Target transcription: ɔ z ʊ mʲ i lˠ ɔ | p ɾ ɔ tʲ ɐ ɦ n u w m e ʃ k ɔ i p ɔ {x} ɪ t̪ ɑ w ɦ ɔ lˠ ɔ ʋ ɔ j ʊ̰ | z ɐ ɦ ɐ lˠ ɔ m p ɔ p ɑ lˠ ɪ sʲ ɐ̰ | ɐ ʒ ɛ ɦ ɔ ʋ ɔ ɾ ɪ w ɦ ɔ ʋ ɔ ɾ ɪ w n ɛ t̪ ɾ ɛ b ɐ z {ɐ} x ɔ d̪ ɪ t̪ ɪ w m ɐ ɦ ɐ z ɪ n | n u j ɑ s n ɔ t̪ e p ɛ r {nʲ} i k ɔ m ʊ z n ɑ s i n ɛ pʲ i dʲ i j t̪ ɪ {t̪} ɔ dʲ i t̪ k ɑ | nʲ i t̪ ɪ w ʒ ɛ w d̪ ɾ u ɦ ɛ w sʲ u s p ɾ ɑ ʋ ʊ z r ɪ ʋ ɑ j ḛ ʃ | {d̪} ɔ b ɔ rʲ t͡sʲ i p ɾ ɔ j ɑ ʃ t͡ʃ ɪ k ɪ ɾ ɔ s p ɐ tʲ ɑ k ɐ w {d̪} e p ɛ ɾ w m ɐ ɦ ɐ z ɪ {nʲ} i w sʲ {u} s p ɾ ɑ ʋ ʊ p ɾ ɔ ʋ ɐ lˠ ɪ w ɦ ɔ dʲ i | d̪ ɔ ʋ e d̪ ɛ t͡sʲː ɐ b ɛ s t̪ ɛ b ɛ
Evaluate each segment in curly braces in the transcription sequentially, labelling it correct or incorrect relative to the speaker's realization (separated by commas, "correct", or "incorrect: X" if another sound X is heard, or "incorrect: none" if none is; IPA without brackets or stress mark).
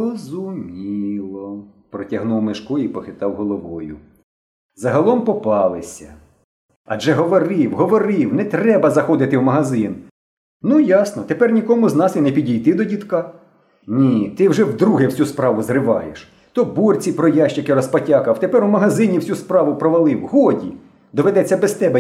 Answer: correct, correct, correct, incorrect: d̪, incorrect: t̪, incorrect: t̪, correct, correct